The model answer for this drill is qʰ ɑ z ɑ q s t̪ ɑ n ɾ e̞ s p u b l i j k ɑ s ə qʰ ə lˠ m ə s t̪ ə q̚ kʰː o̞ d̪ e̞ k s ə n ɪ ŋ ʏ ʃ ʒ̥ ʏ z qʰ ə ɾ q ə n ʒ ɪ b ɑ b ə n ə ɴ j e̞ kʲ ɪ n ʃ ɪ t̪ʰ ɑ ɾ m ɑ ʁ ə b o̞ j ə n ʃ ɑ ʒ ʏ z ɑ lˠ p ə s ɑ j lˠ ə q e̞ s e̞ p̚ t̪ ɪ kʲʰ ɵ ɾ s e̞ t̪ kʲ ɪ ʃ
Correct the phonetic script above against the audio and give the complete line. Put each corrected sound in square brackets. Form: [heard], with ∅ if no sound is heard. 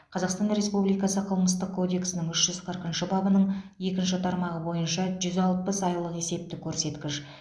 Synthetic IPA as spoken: qʰ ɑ z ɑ q s t̪ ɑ n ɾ e̞ s p u b l i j k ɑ s ə qʰ ə lˠ m ə s t̪ ə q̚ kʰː o̞ d̪ e̞ k s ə n ɪ ŋ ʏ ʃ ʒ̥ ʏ z qʰ ə ɾ q ə n [ʃ] ɪ b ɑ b ə n ə ɴ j e̞ kʲ ɪ n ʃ ɪ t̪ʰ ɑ ɾ m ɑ ʁ ə b o̞ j ə n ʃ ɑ ʒ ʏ z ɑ lˠ p ə s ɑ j lˠ ə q e̞ s e̞ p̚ t̪ ɪ kʲʰ ɵ ɾ s e̞ t̪ kʲ ɪ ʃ

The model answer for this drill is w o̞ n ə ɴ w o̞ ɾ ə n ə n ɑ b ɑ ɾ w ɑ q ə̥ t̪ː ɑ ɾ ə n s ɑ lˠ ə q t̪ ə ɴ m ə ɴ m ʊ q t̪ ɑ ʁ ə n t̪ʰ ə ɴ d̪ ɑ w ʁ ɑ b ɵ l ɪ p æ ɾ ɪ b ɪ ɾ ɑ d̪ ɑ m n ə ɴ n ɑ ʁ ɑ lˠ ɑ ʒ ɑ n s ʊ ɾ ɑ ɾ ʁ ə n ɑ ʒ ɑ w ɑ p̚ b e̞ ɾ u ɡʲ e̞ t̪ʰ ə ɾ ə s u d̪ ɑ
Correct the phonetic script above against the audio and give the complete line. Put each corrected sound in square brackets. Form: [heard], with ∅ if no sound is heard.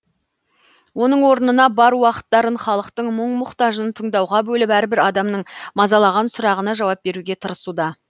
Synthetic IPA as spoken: w o̞ n ə ɴ w o̞ ɾ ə n ə n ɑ b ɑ ɾ w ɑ q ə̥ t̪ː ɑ ɾ ə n [χ] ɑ lˠ ə q t̪ ə ɴ m ə ɴ m ʊ q t̪ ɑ [ʒ] ə n t̪ʰ ə ɴ d̪ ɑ w ʁ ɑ b ɵ l ɪ p æ ɾ ɪ b ɪ ɾ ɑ d̪ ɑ m n ə ɴ [m] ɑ [z] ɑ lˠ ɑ [ʁ] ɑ n s ʊ ɾ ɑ [∅] ʁ ə n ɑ ʒ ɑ w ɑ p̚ b e̞ ɾ u ɡʲ e̞ t̪ʰ ə ɾ ə s u d̪ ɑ

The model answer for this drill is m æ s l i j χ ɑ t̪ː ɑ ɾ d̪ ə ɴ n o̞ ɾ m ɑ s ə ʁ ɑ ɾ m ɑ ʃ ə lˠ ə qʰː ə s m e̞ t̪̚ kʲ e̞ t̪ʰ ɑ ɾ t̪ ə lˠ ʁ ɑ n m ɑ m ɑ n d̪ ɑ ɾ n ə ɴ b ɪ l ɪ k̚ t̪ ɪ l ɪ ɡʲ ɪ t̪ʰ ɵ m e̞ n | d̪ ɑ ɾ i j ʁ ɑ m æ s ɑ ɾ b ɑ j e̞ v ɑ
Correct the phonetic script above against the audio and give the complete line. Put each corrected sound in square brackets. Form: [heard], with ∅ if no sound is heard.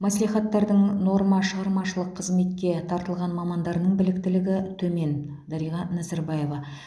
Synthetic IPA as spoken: m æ s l i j χ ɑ t̪ː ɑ ɾ d̪ ə ɴ n o̞ ɾ m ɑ [ʃ] ə ʁ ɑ ɾ m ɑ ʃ ə lˠ ə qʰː ə [z] m e̞ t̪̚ kʲ e̞ t̪ʰ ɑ ɾ t̪ ə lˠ ʁ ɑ n m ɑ m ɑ n d̪ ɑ ɾ n ə ɴ b ɪ l ɪ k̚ t̪ ɪ l ɪ ɡʲ ɪ t̪ʰ ɵ m e̞ n | d̪ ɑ ɾ i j ʁ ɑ [n] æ [z] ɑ ɾ b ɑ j e̞ v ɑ

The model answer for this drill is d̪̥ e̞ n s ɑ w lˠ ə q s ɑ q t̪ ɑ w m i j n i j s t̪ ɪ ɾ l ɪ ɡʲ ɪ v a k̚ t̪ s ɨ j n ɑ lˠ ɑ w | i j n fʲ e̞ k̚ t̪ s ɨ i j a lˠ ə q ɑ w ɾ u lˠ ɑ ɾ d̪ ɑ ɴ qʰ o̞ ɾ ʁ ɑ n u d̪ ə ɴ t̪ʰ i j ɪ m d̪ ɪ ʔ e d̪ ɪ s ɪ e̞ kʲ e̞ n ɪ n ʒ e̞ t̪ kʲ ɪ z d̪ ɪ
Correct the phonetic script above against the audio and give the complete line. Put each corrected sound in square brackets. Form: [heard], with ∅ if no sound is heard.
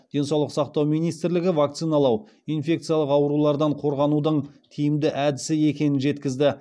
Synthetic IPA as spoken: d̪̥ e̞ n s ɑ w lˠ ə q s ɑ q t̪ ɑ w m i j n i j s t̪ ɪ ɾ l ɪ ɡʲ ɪ v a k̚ t̪ s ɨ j n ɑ lˠ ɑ w | i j n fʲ e̞ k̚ t̪ s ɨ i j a lˠ ə q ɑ w ɾ u lˠ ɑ ɾ d̪ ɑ ɴ qʰ o̞ ɾ ʁ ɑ n u d̪ ə ɴ t̪ʰ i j ɪ m d̪ ɪ ʔ [æ] d̪ ɪ s ɪ e̞ kʲ e̞ n ɪ n ʒ e̞ t̪ kʲ ɪ z d̪ ɪ

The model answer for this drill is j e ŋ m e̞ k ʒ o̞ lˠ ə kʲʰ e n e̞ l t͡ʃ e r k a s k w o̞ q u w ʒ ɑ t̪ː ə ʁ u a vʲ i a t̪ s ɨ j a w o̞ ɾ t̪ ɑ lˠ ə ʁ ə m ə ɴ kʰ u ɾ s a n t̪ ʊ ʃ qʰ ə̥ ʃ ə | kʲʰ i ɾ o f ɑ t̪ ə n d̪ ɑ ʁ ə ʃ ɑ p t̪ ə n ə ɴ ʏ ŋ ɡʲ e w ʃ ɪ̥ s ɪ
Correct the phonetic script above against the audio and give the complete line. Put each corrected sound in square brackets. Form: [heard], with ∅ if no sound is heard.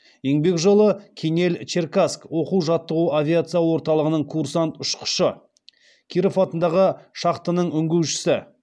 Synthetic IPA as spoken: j e ŋ [b] e̞ k ʒ o̞ lˠ ə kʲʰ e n e̞ l t͡ʃ e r k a s k w o̞ q u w ʒ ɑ t̪ː ə ʁ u a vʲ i a t̪ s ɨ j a w o̞ ɾ t̪ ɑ lˠ ə ʁ ə [n] ə ɴ kʰ u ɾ s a n t̪ ʊ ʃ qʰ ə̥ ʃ ə | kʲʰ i ɾ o f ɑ t̪ ə n d̪ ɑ ʁ ə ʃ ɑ [q] t̪ ə n ə ɴ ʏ ŋ ɡʲ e w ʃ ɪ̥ s ɪ

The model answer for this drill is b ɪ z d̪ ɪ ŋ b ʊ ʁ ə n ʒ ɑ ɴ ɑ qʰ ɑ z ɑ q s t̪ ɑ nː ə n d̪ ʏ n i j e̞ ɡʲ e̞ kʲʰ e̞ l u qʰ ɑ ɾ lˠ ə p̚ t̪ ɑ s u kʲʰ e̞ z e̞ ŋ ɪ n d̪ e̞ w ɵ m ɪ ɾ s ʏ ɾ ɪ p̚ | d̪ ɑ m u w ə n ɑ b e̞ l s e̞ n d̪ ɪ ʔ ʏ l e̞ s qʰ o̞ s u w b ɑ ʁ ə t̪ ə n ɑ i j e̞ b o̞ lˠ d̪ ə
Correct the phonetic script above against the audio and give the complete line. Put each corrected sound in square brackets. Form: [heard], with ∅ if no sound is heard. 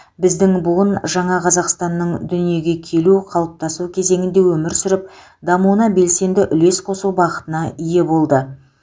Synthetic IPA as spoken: b ɪ z d̪ ɪ ŋ b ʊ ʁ ə n ʒ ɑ ɴ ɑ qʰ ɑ z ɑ q s t̪ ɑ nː ə [ɴ] d̪ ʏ n i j e̞ ɡʲ e̞ kʲʰ e̞ l u qʰ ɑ [∅] lˠ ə p̚ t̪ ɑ s u kʲʰ e̞ z e̞ ŋ ɪ n d̪ e̞ w ɵ m ɪ ɾ s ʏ ɾ ɪ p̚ | d̪ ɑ m u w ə n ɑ b e̞ l s e̞ n d̪ ɪ ʔ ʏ l e̞ s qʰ o̞ s u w b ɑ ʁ ə t̪ ə n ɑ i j e̞ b o̞ lˠ d̪ ə

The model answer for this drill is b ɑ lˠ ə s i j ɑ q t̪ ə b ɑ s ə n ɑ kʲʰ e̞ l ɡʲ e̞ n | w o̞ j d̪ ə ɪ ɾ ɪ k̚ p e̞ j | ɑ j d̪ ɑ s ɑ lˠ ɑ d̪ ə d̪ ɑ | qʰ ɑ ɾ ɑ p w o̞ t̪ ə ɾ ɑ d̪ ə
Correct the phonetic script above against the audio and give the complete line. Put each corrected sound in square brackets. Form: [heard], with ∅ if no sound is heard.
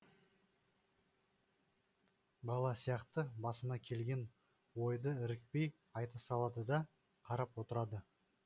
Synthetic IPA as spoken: b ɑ lˠ [ɑ] s i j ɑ q t̪ ə b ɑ s ə n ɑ kʲʰ e̞ l ɡʲ e̞ n | w o̞ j d̪ ə ɪ ɾ ɪ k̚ p e̞ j | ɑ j [t̪] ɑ s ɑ lˠ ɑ d̪ ə d̪ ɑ | qʰ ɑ ɾ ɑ p w o̞ t̪ ə ɾ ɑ d̪ ə

